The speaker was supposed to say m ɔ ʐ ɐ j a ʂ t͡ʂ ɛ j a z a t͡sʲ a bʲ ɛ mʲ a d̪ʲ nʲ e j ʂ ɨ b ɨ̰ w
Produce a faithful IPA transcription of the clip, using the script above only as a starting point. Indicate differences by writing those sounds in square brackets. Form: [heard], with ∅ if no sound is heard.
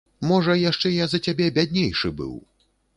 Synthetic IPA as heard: m ɔ ʐ ɐ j a ʂ t͡ʂ ɛ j a z [ɐ] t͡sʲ a bʲ ɛ [bʲ] a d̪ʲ nʲ e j ʂ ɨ b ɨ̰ w